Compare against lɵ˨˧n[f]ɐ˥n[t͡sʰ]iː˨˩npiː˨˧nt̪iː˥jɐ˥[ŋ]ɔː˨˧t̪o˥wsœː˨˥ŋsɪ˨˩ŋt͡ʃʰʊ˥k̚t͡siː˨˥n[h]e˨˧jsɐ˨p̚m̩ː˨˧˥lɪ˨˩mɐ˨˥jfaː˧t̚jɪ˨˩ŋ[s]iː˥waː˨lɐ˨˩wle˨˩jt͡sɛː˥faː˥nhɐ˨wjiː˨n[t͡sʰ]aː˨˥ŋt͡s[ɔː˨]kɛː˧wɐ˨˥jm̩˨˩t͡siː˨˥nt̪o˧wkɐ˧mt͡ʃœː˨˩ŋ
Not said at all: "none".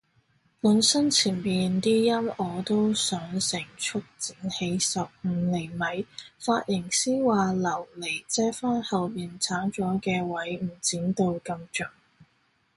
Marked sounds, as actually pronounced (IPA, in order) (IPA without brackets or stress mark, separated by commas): s, t͡sʰ, m, h, s, t͡sʰ, ɔː˨˥